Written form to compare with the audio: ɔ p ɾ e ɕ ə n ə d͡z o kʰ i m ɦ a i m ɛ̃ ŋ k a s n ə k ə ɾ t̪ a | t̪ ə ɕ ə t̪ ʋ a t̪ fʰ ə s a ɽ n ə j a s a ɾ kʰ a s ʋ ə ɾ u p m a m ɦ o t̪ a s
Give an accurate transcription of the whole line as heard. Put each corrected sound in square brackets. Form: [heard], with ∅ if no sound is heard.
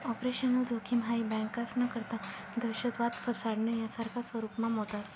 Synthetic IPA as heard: ɔ p ɾ e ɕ ə n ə d͡z o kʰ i m ɦ a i [b] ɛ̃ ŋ k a s n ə k ə ɾ t̪ a | [d̪] ə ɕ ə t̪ ʋ a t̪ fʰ ə s a ɽ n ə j a s a ɾ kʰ a s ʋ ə ɾ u p m a m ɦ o t̪ a s